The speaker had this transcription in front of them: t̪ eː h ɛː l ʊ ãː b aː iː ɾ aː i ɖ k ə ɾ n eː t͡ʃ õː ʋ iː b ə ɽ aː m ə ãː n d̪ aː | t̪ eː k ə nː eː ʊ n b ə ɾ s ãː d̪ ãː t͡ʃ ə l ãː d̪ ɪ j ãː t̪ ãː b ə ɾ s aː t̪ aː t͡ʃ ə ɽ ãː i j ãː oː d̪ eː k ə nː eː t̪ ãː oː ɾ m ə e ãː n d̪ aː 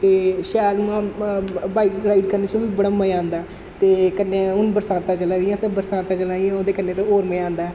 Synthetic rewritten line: t̪ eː ʃ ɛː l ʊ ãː b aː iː ɾ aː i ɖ k ə ɾ n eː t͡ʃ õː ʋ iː b ə ɽ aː m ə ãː n d̪ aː | t̪ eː k ə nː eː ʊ n b ə ɾ s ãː t̪ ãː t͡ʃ ə l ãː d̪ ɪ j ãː t̪ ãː b ə ɾ s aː t̪ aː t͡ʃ ə l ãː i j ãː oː d̪ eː k ə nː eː t̪ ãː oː ɾ m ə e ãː n d̪ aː

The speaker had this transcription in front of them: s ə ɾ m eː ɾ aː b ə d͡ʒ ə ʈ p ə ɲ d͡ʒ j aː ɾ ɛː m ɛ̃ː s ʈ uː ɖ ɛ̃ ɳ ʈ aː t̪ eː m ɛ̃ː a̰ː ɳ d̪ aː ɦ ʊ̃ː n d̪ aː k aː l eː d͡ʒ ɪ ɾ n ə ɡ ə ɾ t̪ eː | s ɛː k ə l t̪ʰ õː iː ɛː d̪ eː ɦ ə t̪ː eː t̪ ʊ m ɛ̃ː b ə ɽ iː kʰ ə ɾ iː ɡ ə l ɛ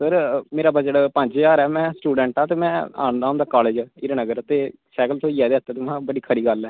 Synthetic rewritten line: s ə ɾ m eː ɾ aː b ə d͡ʒ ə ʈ p ə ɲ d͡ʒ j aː ɾ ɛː m ɛ̃ː s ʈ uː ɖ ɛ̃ ɳ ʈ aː t̪ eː m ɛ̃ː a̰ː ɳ d̪ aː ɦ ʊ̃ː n d̪ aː k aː l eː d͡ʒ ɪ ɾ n ə ɡ ə ɾ t̪ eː | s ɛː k ə l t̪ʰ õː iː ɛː d̪ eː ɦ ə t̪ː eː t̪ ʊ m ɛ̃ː b ə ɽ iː kʰ ə ɾ iː ɡ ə l ɛː

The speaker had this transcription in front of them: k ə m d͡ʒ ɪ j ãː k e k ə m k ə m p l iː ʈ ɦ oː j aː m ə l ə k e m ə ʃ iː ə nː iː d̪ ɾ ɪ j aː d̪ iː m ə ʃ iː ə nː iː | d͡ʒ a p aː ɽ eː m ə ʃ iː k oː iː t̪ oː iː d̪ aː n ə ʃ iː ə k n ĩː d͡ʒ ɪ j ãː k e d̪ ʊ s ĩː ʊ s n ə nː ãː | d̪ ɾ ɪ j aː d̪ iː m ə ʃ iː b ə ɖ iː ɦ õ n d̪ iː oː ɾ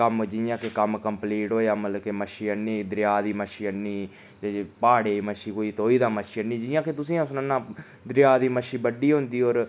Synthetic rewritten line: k ə m d͡ʒ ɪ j ãː k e k ə m k ə m p l iː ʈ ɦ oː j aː m ə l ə k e m ə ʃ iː ə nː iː d̪ ɾ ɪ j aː d̪ iː m ə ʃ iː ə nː iː | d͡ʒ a p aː ɽ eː m ə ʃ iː k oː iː t̪ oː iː d̪ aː m ə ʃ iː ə n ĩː d͡ʒ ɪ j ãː k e t̪ ʊ s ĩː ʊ s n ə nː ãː | d̪ ɾ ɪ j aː d̪ iː m ə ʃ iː b ə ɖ iː ɦ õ n d̪ iː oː ɾ

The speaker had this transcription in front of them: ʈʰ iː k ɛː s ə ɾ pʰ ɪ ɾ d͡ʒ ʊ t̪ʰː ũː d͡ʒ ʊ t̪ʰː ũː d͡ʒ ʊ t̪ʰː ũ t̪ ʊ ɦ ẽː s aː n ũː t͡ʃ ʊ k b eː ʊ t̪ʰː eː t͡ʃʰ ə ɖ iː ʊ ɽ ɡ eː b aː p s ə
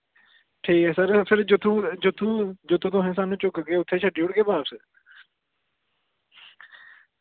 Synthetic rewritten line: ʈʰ iː k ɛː s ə ɾ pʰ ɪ ɾ d͡ʒ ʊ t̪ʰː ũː d͡ʒ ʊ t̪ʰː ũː d͡ʒ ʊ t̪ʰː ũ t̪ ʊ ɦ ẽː s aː n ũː t͡ʃ ʊ k ɡ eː ʊ t̪ʰː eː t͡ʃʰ ə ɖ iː ʊ ɽ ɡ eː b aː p s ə

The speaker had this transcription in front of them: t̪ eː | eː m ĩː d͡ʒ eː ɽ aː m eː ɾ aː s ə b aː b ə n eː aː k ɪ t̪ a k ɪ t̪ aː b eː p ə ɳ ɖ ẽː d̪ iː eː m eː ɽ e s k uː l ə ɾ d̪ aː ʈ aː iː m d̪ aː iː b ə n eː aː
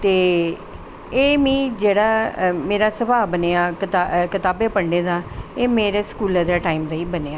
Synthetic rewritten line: t̪ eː | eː m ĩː d͡ʒ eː ɽ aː m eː ɾ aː s ə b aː b ə n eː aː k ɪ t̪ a k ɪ t̪ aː b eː p ə ɳ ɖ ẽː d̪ aː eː m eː ɾ e s k uː l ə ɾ d̪ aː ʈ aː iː m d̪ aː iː b ə n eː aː

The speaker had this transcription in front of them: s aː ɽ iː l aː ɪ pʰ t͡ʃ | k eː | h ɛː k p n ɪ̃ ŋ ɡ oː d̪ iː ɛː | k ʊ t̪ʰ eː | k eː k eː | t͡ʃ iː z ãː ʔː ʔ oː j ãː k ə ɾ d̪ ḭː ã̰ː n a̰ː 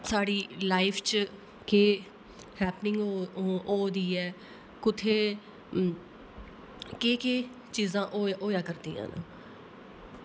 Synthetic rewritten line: s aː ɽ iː l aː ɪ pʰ t͡ʃ | k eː | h ɛː p n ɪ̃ ŋ ɡ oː d̪ iː ɛː | k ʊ t̪ʰ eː | k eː k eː | t͡ʃ iː z ãː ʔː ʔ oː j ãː k ə ɾ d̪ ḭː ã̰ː n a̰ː

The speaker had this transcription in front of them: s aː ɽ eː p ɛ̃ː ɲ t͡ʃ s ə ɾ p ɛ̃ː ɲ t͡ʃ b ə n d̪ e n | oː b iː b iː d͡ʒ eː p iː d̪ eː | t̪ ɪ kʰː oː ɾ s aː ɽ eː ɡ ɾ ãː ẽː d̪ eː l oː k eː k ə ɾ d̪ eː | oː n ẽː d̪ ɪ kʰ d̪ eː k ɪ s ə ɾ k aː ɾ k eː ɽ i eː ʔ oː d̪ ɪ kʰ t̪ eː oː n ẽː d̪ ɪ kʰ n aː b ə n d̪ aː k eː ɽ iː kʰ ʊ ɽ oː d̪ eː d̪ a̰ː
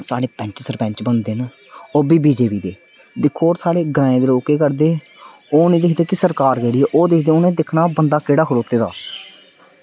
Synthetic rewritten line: s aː ɽ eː p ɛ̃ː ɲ t͡ʃ s ə ɾ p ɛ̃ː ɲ t͡ʃ b ə n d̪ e n | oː b iː b iː d͡ʒ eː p iː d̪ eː | d̪ ɪ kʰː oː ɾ s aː ɽ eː ɡ ɾ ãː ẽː d̪ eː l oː k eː k ə ɾ d̪ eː | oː n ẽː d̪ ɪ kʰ d̪ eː k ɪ s ə ɾ k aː ɾ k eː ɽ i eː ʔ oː d̪ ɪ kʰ d̪ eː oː n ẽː d̪ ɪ kʰ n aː b ə n d̪ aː k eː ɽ aː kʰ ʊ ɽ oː t̪ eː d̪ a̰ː

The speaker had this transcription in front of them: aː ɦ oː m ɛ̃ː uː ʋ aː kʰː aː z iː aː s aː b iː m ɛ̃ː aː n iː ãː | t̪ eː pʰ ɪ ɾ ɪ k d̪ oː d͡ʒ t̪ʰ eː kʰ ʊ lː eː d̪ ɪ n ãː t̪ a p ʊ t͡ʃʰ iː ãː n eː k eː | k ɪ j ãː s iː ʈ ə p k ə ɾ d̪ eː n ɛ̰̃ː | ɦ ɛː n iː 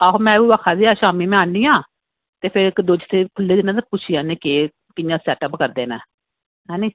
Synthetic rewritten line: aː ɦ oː m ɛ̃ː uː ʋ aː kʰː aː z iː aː ʃ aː m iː m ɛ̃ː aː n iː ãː | t̪ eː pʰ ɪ ɾ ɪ k d̪ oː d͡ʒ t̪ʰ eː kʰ ʊ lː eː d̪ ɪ n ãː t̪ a p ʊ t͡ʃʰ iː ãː n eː k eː | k ɪ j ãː s ɛː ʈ ə p k ə ɾ d̪ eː n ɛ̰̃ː | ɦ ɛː n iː

